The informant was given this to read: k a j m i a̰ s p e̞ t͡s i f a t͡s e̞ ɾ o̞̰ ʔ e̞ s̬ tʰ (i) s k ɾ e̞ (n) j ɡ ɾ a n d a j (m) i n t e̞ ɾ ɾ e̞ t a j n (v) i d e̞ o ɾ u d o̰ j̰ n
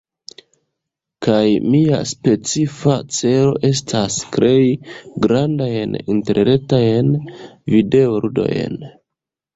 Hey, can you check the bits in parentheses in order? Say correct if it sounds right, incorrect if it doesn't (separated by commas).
incorrect, incorrect, incorrect, correct